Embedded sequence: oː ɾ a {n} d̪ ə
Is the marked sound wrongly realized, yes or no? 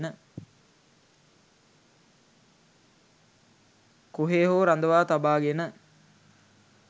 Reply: no